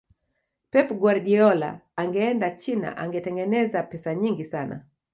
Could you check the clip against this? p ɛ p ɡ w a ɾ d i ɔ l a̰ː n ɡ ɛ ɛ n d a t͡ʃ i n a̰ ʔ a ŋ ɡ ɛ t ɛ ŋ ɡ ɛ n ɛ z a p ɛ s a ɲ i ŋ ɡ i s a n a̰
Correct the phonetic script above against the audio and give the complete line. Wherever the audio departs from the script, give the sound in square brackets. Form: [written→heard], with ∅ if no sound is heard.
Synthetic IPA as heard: p ɛ p ɡ w a ɾ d i ɔ l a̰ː [n→ŋ] ɡ ɛ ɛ n d a t͡ʃ i n a̰ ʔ a ŋ ɡ ɛ t ɛ ŋ ɡ ɛ n ɛ z a p ɛ s a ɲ i ŋ ɡ i s a n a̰